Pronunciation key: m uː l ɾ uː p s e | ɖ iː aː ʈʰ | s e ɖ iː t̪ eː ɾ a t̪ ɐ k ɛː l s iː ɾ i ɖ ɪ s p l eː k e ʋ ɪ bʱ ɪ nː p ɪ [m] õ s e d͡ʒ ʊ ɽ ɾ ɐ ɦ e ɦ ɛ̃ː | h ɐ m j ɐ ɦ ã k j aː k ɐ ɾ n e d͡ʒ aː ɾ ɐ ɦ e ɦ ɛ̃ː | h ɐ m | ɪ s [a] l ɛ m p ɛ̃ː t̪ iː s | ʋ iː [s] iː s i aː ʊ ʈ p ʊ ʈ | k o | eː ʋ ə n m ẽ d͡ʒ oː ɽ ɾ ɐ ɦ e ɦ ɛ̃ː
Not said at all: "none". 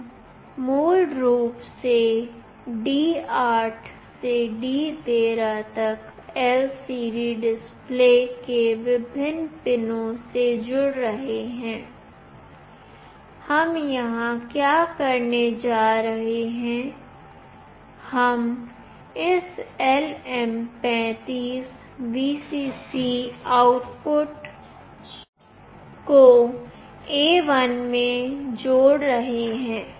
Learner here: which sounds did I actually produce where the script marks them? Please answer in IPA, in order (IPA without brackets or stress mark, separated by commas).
n, ɛ, s